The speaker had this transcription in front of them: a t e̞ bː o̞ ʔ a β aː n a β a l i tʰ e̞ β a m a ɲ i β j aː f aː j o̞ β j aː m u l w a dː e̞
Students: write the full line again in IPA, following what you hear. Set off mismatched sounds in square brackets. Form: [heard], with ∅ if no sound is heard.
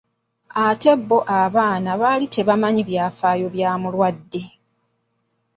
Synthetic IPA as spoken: a t e̞ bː o̞ ʔ a β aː n a β a l i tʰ e̞ β a m a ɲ i β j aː f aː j o̞ β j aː m u l w a dː e̞